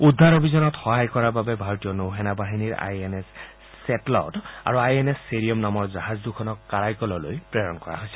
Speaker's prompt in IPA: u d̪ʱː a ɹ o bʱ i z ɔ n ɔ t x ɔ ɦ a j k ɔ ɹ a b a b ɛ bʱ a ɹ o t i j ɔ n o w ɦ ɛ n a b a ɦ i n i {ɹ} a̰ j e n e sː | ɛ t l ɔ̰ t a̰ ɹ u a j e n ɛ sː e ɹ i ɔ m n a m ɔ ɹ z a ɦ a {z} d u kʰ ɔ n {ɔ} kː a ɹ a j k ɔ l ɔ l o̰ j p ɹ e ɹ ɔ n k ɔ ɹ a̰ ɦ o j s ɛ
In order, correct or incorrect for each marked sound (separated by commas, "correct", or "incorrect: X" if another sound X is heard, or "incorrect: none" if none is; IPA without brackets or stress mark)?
correct, correct, correct